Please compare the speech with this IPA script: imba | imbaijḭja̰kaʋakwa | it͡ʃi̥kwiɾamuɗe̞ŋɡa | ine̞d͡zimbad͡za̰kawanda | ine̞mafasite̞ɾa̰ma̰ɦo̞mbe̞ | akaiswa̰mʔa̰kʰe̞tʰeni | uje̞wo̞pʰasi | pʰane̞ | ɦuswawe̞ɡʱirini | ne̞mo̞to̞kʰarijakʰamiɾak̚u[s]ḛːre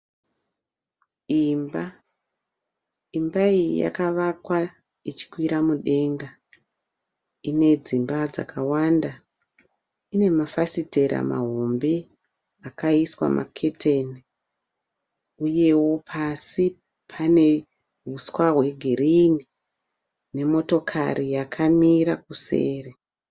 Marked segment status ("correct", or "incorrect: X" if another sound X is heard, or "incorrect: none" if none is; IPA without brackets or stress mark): correct